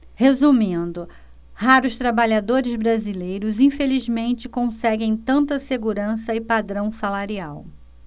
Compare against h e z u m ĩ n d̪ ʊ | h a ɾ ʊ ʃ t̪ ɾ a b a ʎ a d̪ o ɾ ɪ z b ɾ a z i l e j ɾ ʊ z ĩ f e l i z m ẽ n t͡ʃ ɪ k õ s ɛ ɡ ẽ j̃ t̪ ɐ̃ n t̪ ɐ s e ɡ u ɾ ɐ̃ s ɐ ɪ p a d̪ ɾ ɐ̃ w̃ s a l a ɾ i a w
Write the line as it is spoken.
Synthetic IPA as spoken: h e z u m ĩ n d̪ ʊ | h a ɾ ʊ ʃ t̪ ɾ a b a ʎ a d̪ o ɾ ɪ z b ɾ a z i l e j ɾ ʊ z ĩ f e l i z m ẽ n t͡ʃ ɪ k õ s ɛ ɡ ẽ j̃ t̪ ɐ̃ n t̪ ɐ s e ɡ u ɾ ɐ̃ s ɐ ɪ p a d̪ ɾ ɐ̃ w̃ s a l a ɾ i a w